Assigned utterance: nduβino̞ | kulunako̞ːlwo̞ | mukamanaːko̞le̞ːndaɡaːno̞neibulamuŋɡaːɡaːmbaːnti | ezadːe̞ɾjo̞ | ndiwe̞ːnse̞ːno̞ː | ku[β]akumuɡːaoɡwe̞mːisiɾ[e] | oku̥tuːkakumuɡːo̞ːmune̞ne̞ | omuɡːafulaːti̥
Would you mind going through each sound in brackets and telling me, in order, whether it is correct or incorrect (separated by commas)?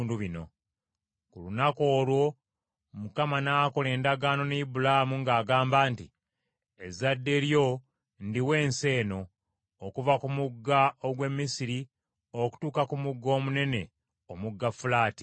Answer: incorrect, incorrect